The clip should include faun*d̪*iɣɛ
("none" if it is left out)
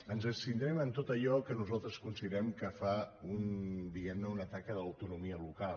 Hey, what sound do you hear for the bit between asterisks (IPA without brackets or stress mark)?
d̪